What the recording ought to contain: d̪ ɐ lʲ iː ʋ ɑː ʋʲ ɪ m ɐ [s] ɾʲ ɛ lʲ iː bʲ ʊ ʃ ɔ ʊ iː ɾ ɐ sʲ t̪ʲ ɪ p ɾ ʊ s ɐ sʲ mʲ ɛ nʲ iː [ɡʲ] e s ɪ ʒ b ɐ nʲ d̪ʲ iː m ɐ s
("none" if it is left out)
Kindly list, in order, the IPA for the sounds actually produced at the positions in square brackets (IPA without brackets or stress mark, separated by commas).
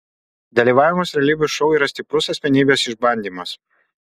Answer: s, bʲ